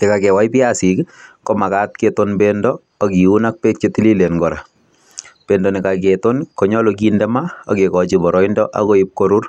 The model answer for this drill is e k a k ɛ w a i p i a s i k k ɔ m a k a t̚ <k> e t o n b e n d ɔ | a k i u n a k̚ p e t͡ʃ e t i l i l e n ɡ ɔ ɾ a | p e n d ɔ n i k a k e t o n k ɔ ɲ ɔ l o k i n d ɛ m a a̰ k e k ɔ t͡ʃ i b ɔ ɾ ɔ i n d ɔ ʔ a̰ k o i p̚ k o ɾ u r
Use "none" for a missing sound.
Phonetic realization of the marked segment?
k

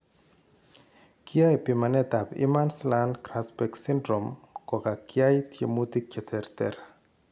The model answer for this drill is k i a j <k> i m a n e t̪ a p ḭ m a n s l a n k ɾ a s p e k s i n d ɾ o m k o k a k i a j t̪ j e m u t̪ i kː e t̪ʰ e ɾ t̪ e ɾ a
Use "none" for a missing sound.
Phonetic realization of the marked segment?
p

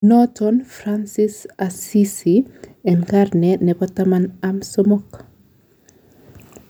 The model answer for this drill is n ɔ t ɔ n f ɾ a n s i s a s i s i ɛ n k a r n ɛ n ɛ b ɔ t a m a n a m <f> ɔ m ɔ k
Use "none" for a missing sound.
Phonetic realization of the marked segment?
s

